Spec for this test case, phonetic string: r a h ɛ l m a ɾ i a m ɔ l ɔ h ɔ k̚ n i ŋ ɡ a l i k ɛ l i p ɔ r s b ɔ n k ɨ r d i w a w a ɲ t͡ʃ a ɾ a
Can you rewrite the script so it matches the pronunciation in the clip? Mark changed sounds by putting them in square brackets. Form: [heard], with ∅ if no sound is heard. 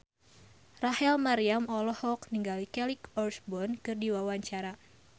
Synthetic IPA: r a h ɛ l m a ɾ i a m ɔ l ɔ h ɔ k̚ n i ŋ ɡ a l i k ɛ l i [k] ɔ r s b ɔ n k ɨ r d i w a w a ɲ t͡ʃ a ɾ a